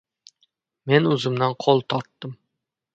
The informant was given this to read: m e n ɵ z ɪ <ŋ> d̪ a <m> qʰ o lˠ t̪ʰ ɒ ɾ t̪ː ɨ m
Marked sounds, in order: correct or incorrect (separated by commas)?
incorrect, incorrect